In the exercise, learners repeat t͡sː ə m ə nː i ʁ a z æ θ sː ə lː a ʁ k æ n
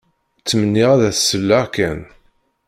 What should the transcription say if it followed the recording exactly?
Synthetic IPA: t͡sː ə m ə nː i ʁ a ð æ θ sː ə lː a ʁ k æ n